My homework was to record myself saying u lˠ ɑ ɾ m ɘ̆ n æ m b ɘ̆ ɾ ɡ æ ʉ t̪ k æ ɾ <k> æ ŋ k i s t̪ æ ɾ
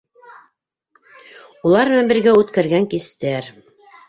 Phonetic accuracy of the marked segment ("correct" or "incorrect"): incorrect